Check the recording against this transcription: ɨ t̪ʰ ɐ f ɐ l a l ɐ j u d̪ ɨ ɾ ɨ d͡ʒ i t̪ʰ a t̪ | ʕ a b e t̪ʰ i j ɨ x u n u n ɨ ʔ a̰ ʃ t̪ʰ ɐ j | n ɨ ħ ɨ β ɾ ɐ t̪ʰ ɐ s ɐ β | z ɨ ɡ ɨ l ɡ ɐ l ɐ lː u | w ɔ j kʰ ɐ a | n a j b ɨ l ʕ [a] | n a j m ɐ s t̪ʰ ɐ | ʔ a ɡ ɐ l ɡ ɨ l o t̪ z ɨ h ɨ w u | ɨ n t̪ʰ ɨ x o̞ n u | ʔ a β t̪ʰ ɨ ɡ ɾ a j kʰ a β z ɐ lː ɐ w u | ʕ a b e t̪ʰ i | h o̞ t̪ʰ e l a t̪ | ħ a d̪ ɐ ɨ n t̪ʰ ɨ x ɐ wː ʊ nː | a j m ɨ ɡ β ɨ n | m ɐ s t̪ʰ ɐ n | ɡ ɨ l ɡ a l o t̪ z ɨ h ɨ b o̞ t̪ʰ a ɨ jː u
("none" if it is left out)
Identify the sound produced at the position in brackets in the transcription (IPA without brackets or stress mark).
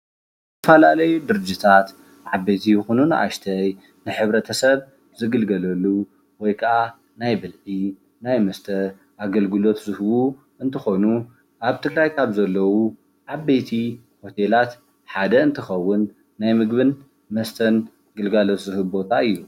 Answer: i